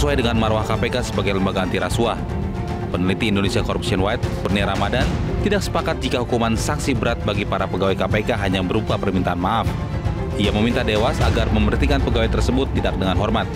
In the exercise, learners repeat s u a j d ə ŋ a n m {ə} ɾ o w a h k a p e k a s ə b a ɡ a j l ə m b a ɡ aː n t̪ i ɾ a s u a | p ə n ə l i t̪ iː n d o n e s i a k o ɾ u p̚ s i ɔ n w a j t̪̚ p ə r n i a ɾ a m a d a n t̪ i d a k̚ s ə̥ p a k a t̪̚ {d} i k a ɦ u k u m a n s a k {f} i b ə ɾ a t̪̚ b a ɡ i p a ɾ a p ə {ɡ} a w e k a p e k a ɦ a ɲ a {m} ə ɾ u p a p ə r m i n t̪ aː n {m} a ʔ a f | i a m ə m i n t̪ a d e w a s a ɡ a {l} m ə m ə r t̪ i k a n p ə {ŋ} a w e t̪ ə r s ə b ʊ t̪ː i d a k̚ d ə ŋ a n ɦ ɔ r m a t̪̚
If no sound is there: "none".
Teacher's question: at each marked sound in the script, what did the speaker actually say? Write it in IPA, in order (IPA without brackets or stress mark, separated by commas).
a, d͡ʒ, s, ɡ, b, m, r, ɡ